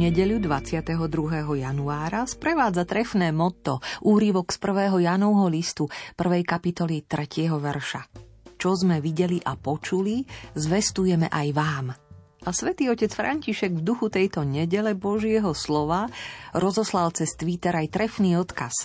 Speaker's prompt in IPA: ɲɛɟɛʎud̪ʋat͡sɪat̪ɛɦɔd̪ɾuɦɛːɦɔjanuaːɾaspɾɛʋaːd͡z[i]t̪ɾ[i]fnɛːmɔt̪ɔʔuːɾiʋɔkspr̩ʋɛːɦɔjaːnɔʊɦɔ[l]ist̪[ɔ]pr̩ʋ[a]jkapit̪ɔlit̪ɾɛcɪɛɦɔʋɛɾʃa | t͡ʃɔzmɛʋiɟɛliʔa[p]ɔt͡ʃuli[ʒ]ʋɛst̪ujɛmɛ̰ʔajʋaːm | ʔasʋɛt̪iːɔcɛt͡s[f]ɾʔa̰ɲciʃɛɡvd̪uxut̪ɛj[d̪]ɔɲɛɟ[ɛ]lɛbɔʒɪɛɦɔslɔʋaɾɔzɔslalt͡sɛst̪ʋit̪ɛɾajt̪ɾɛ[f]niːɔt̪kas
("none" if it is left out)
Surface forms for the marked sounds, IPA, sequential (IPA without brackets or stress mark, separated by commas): a, ɛ, l, u, ɛ, p, z, f, t̪, ɛ, f